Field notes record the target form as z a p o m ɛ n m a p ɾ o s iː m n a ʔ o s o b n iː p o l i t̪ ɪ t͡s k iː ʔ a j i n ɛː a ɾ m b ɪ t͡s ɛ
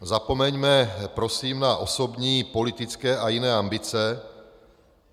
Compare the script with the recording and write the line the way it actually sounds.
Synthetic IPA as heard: z a p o m ɛ ɲ m ɛ p ɾ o s iː m n a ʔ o s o b ɲ iː p o l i t̪ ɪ t͡s k ɛː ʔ a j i n ɛː a m b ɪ t͡s ɛ